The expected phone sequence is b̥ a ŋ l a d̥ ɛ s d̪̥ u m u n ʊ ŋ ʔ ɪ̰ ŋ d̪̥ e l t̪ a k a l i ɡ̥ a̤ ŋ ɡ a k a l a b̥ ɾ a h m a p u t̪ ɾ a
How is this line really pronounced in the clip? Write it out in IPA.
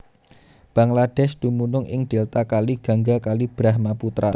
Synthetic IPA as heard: b̥ a ŋ l a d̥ ɛ s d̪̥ u m u n ʊ ŋ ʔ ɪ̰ ŋ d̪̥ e l t̪ a k a l i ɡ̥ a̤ ŋ ɡ a k a l i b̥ ɾ a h m a p u t̪ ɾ a